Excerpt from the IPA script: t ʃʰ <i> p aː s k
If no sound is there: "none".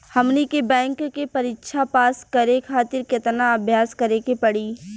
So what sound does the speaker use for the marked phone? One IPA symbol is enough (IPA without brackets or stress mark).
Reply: a